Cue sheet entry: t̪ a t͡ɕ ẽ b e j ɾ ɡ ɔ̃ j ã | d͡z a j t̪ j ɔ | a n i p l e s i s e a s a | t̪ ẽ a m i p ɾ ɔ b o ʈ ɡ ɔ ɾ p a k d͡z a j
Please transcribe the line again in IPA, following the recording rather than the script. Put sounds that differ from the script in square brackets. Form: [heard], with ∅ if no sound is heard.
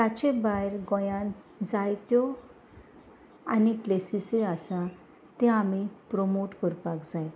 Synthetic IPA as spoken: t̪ a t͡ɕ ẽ b [a] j ɾ ɡ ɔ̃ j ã | d͡z a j t̪ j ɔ | a n i p l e s i s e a s a | t̪ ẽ a m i p ɾ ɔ [m] o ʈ [k] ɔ ɾ p a k d͡z a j